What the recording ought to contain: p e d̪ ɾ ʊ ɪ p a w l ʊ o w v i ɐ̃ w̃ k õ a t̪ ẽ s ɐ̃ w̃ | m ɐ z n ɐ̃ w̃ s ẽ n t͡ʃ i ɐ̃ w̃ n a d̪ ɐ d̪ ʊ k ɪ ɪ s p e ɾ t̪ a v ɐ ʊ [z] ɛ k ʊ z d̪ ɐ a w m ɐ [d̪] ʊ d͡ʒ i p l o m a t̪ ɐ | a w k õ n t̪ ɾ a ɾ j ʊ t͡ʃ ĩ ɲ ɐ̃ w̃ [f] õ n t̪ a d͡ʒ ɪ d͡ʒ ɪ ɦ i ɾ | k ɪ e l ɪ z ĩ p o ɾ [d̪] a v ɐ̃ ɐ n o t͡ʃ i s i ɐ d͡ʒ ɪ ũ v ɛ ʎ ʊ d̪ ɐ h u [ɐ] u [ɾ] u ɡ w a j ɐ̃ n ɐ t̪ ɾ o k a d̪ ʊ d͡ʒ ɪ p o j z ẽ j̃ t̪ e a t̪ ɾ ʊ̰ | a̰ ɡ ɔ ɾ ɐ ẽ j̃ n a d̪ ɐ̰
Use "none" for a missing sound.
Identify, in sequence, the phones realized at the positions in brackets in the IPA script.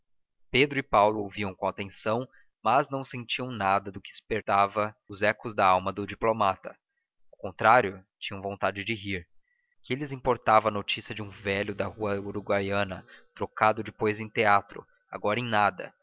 z, d̪, v, t̪, ɐ, ɾ

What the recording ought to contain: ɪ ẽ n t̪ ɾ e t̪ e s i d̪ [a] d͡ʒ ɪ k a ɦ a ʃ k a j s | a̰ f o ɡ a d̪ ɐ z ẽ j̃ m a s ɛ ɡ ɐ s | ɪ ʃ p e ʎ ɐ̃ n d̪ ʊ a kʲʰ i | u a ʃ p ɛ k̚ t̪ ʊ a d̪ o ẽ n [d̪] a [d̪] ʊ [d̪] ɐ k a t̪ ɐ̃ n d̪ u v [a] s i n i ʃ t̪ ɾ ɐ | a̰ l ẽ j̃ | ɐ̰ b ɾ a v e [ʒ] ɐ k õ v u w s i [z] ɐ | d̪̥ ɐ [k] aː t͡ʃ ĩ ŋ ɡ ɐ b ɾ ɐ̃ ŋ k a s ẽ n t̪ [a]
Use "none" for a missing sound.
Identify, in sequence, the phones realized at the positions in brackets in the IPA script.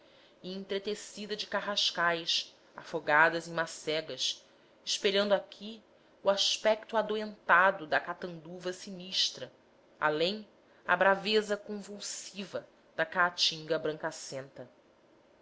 ɐ, t̪, d̪, d̪, ɐ, z, v, k, ɐ

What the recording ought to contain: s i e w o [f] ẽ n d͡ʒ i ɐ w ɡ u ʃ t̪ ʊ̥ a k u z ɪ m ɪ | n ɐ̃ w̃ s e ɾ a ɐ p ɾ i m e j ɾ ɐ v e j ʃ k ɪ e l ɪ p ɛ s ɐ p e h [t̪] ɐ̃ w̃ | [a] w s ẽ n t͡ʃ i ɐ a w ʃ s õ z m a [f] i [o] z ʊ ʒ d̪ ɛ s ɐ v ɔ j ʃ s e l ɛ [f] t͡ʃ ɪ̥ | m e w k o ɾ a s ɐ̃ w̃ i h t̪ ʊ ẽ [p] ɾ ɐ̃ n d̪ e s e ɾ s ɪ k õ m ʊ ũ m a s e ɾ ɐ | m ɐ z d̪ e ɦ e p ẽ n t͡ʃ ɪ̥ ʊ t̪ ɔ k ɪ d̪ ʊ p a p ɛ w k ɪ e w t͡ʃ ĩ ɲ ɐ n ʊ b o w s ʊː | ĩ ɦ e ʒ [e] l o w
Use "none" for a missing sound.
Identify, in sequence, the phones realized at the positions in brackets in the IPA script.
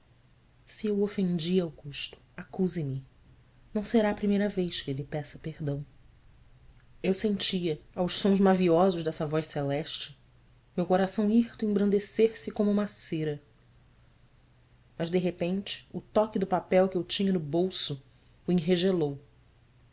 f, d̪, e, v, ɔ, ʃ, b, e

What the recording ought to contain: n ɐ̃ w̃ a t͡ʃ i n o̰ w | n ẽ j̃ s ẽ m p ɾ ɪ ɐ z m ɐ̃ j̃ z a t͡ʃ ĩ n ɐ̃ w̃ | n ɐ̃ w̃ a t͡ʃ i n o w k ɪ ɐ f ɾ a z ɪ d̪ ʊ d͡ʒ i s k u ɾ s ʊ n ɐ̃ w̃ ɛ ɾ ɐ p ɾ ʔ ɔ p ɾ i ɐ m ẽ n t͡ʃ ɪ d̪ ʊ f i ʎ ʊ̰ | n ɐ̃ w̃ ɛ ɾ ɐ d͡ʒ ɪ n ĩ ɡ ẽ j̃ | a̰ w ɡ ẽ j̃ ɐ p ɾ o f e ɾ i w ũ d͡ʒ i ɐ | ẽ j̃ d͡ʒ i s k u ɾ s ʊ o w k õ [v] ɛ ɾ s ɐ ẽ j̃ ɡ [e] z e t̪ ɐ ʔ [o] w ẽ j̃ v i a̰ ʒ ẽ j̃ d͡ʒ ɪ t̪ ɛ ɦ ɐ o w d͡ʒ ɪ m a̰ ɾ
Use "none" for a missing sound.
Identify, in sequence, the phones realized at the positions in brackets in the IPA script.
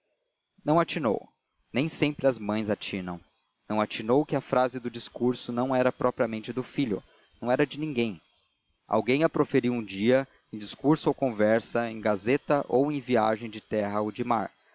v, a, o

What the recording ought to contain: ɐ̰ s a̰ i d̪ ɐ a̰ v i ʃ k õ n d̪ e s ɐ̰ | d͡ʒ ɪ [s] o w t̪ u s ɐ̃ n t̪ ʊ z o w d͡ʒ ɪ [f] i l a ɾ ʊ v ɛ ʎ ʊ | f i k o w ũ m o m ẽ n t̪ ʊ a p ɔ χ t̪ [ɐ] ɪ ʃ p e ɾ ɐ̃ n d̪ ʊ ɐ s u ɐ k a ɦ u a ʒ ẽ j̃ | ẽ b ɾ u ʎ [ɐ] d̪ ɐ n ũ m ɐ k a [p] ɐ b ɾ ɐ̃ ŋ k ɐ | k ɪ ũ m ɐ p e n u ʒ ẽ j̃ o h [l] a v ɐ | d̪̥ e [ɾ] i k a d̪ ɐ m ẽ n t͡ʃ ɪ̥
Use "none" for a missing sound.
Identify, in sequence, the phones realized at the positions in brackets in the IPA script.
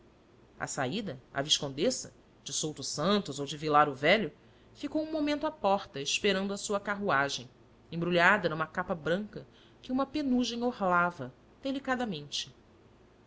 s, v, ɐ, a, p, l, l

